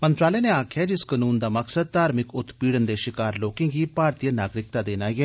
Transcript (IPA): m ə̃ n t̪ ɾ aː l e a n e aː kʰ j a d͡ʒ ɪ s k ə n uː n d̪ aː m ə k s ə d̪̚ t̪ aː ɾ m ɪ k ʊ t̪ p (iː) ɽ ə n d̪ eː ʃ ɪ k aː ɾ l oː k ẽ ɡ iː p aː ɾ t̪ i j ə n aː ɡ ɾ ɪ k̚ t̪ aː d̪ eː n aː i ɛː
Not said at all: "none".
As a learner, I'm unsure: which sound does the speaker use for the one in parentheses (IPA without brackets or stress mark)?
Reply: iː